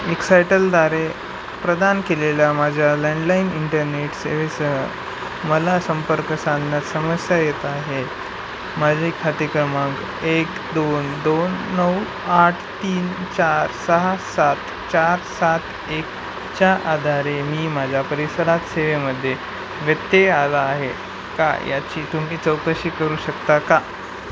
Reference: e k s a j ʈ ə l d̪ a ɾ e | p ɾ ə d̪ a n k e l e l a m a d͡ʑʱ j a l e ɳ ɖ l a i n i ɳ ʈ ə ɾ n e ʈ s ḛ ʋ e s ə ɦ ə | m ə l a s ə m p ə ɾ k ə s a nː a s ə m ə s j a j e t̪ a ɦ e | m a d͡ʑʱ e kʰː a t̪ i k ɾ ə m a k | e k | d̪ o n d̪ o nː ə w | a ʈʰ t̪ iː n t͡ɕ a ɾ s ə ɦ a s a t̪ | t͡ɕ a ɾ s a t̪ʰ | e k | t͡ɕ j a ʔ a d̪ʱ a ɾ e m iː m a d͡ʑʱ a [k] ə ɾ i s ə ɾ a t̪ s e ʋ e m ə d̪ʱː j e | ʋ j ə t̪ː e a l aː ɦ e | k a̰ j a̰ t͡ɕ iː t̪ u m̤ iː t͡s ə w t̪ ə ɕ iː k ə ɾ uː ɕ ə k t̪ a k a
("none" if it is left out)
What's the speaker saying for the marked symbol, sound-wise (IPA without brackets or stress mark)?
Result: p